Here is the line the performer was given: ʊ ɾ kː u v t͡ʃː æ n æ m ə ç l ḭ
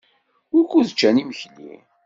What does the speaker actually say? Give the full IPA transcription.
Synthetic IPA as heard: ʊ ɾ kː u ð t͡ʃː æ n i m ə ç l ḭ